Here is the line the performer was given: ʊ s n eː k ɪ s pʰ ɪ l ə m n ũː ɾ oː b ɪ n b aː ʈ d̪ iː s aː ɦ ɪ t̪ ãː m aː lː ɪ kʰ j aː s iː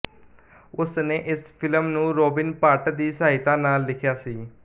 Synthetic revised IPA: ʊ s n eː ʔ ɪ s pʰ ɪ l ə m n ũː ɾ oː b ɪ n p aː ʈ d̪ iː s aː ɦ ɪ t̪ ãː n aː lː ɪ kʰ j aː s iː